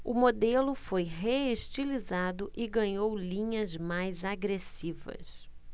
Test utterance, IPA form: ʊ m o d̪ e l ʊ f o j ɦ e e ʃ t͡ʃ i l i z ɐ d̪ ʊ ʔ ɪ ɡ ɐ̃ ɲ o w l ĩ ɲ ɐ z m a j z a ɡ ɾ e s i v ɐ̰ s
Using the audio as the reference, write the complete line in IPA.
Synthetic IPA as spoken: ʊ m o d̪ e l ʊ f o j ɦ e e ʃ t͡ʃ i l i z a d̪ ʊ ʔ ɪ ɡ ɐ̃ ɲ o w l ĩ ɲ ɐ z m a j z a ɡ ɾ e s i v ɐ̰ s